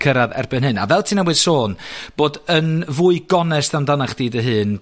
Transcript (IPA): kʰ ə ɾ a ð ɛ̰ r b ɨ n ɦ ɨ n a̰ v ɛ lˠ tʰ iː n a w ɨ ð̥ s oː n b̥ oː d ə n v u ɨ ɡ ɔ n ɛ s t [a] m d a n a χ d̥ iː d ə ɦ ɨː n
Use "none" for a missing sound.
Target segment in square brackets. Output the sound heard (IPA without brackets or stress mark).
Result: a